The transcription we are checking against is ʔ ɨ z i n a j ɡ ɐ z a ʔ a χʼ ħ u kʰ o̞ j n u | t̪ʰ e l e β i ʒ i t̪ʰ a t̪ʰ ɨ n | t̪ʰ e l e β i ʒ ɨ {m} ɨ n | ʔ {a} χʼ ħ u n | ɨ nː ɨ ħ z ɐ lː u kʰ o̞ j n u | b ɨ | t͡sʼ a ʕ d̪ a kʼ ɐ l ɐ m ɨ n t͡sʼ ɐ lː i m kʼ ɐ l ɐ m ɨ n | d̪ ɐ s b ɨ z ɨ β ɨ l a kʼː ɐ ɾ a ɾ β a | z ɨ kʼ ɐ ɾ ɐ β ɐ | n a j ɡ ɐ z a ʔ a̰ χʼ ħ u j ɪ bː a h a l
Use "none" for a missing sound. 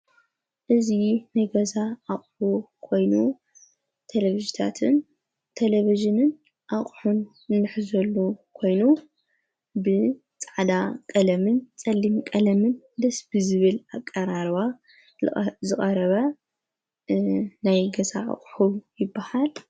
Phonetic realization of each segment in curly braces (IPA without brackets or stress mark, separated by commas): n, a